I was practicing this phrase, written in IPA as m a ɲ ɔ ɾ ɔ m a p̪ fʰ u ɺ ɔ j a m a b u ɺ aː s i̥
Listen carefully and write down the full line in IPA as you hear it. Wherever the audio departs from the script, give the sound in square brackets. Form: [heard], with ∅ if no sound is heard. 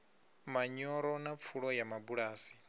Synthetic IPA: m a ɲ ɔ ɾ ɔ [n] a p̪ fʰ u ɺ ɔ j a m a b u ɺ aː s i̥